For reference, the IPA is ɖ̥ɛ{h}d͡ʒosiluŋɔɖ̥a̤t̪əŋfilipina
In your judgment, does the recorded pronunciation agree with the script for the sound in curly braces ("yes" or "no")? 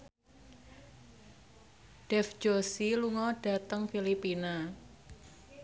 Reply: no